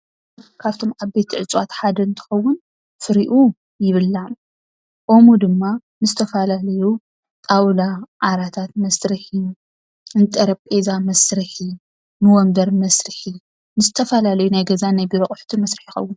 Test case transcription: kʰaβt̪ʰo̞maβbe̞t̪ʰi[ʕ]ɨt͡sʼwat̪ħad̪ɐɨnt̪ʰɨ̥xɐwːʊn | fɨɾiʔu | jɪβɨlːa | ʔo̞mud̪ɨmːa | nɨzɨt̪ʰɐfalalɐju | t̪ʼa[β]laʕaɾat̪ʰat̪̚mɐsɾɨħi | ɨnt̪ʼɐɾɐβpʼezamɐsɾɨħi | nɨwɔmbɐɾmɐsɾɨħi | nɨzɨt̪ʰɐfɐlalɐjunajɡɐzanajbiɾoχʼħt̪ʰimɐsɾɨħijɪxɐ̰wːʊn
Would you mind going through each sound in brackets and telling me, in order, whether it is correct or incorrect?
correct, incorrect: w

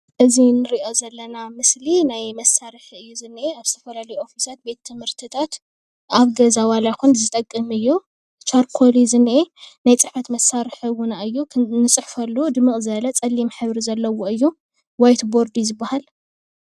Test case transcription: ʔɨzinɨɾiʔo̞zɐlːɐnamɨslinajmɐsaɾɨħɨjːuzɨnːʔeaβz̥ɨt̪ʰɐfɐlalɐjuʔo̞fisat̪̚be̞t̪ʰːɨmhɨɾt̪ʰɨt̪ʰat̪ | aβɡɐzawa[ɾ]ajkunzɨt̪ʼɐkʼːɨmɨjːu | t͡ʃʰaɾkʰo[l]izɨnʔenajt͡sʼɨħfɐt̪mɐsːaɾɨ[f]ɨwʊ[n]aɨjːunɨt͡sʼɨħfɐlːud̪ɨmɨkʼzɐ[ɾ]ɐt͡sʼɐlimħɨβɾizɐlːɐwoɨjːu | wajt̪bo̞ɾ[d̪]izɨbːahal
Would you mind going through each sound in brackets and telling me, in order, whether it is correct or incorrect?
incorrect: l, correct, incorrect: ħ, correct, incorrect: l, correct

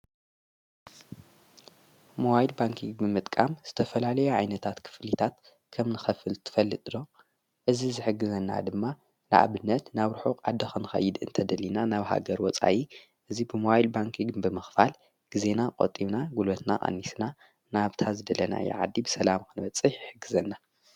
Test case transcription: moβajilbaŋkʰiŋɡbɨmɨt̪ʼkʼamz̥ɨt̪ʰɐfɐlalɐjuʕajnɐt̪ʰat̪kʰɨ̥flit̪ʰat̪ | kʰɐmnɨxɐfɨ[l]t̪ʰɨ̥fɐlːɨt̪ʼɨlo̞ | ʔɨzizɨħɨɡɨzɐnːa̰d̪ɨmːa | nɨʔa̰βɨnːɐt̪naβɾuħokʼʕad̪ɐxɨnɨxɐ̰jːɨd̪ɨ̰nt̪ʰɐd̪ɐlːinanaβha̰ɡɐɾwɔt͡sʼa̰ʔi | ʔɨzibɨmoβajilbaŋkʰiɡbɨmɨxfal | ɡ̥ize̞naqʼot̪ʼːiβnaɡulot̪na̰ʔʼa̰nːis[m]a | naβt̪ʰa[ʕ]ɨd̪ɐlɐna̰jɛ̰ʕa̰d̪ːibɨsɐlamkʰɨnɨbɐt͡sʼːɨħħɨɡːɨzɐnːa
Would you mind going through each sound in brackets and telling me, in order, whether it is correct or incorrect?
correct, incorrect: n, incorrect: z

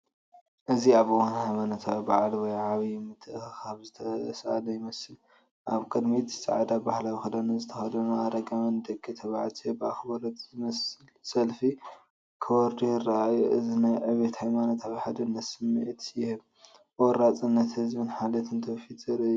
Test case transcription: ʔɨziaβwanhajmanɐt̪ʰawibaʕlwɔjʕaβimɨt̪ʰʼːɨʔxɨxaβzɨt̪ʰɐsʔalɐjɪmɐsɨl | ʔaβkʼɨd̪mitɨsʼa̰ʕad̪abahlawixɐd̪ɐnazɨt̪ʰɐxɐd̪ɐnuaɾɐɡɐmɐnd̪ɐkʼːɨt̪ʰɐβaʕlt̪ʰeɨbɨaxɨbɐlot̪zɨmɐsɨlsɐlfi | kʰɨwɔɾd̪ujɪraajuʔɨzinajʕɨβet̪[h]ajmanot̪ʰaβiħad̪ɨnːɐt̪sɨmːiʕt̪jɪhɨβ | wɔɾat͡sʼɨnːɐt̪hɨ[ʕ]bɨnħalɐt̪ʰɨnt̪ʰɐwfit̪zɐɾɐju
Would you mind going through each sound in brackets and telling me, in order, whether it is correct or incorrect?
correct, incorrect: z

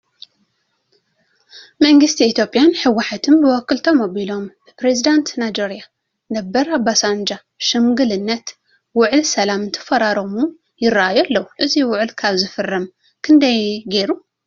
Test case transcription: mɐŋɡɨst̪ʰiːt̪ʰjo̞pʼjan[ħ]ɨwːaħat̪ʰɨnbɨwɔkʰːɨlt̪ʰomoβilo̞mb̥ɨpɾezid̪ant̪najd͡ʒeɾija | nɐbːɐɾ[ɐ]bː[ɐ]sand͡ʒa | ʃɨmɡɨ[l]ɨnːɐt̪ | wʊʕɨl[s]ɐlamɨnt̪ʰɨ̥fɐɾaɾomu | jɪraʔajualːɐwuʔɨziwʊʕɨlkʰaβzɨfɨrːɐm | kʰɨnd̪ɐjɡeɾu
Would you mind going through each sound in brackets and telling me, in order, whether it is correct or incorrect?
correct, incorrect: a, incorrect: a, correct, correct

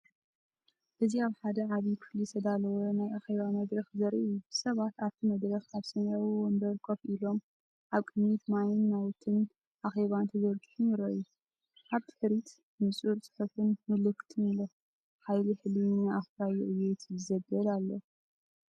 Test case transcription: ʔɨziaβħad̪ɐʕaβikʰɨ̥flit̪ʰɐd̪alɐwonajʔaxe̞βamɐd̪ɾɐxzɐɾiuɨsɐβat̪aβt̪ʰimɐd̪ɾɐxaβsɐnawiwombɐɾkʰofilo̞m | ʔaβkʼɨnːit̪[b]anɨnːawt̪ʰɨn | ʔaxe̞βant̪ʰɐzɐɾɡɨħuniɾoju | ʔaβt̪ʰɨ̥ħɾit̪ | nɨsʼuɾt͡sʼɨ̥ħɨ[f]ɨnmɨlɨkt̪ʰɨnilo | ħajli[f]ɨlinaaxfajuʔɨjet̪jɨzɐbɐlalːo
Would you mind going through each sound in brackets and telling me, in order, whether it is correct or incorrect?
incorrect: m, correct, incorrect: ħ

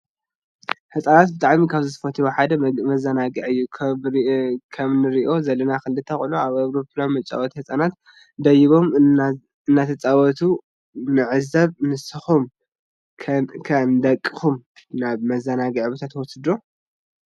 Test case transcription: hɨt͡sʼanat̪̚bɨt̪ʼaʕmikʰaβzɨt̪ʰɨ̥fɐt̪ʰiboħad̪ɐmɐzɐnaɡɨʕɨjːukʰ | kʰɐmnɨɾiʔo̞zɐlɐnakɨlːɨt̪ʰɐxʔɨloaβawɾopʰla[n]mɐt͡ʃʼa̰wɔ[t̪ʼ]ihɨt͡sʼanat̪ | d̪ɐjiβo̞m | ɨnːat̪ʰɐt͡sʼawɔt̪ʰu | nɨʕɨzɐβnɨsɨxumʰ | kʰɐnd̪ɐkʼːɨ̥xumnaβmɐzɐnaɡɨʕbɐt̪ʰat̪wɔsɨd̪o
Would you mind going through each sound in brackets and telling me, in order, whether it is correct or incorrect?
correct, incorrect: t̪

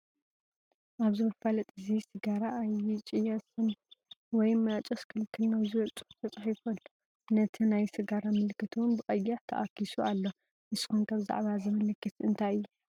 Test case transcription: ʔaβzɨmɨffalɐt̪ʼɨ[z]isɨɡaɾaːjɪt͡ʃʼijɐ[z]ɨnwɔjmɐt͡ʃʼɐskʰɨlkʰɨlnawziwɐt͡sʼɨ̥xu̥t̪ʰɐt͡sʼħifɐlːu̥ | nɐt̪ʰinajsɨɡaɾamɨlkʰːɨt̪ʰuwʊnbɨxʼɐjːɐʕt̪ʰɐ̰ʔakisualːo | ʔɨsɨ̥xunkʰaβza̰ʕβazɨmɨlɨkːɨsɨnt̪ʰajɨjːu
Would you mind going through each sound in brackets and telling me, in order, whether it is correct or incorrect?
correct, incorrect: s

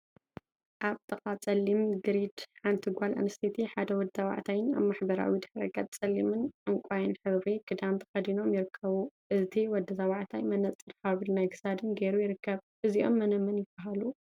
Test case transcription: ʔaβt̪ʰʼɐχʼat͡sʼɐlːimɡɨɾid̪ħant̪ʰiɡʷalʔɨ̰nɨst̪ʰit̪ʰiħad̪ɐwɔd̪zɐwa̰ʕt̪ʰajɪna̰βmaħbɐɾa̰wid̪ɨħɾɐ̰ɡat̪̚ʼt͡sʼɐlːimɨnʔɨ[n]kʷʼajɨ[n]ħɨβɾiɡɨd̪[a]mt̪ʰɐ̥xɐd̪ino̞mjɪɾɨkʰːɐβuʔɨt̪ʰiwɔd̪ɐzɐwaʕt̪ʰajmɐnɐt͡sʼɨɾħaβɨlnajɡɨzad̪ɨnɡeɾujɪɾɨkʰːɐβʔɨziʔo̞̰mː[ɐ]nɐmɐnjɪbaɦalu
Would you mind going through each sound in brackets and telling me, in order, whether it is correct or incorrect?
incorrect: ŋ, correct, correct, correct

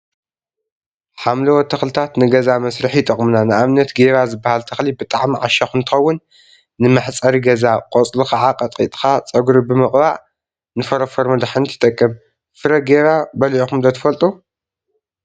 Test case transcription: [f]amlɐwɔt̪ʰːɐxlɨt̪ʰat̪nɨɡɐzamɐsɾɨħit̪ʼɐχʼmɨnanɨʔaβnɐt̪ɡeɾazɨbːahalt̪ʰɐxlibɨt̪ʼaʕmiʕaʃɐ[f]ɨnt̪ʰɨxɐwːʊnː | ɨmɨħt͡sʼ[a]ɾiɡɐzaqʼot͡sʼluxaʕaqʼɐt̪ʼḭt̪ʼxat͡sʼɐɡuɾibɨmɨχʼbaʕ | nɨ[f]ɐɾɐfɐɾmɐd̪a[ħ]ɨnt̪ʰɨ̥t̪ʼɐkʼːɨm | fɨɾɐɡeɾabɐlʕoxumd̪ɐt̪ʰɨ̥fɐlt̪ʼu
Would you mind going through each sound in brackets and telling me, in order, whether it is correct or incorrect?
incorrect: ħ, incorrect: x, incorrect: ɐ, correct, correct

